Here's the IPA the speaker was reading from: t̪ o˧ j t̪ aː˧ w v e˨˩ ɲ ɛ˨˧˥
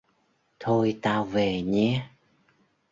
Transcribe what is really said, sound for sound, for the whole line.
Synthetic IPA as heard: t̪ʰ o˧ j t̪ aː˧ w v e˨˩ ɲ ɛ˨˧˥